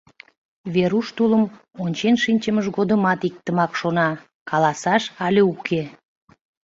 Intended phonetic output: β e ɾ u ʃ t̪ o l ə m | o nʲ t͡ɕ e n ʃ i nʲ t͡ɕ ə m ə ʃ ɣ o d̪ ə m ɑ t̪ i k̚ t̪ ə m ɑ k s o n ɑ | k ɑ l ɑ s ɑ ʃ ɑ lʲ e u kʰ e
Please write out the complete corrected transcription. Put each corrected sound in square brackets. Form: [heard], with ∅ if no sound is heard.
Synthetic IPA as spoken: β e ɾ u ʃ t̪ [u] l ə m | o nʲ t͡ɕ e n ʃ i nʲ t͡ɕ ə m ə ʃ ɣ o d̪ ə m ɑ t̪ i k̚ t̪ ə m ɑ k [ʃ] o n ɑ | k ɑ l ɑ s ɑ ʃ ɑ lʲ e u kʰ e